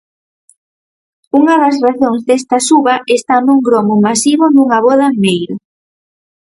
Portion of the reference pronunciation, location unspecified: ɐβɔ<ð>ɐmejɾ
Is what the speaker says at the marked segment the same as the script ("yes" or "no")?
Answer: yes